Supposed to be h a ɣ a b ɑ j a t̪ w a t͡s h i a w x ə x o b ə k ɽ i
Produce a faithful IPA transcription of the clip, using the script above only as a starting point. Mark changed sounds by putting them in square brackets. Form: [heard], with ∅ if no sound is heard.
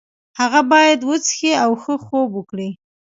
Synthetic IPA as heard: h a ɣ a b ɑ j a [d̪] w [ə] t͡s [x] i a w x ə x o b ə k ɽ i

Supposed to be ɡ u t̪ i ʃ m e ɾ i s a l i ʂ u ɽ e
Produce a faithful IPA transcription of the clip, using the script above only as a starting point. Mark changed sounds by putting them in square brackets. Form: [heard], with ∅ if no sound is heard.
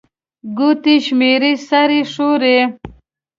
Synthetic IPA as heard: ɡ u t̪ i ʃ m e ɾ i s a [ɾ] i ʂ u [ɾ] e

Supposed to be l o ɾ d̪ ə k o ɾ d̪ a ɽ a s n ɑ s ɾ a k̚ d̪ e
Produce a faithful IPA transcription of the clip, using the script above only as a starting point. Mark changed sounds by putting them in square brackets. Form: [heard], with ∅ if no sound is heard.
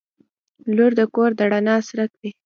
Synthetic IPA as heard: l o ɾ d̪ ə k o ɾ d̪ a ɽ a [∅] n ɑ s ɾ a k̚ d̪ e

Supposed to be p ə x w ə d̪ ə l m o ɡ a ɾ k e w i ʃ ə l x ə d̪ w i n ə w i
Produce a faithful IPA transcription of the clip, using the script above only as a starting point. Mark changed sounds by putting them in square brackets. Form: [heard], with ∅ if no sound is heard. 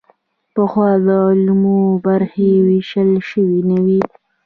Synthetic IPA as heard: p ə x w [ɑ] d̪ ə l m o [b] a ɾ [x] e w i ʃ ə l [ʃ] ə [∅] w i n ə w i

